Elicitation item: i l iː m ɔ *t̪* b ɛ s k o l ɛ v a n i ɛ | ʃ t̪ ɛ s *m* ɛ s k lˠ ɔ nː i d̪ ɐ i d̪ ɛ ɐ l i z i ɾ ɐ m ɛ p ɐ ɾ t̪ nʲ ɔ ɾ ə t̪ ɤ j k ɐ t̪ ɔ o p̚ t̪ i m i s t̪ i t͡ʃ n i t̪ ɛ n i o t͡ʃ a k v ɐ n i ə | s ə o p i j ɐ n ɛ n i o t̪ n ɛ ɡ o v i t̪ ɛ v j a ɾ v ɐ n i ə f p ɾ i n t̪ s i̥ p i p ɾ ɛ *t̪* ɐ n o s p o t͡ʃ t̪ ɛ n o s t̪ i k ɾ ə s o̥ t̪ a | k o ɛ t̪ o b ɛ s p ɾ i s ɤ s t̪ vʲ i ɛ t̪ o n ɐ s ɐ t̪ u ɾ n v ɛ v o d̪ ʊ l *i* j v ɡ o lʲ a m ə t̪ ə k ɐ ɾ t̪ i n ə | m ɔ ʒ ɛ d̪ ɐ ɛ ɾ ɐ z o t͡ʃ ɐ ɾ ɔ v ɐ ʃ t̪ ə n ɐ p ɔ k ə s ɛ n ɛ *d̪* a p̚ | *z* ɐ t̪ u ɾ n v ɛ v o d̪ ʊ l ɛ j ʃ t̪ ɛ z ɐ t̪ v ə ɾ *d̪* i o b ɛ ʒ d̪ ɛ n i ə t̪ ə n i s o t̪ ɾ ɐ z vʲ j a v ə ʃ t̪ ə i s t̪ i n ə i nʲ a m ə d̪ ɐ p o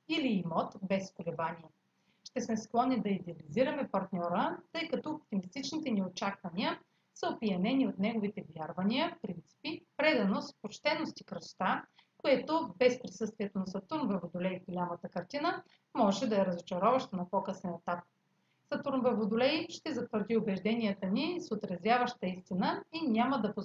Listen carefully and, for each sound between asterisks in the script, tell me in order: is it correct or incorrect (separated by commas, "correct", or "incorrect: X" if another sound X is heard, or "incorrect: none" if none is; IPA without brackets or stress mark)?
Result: correct, correct, incorrect: d̪, incorrect: ɛ, incorrect: t̪, incorrect: s, correct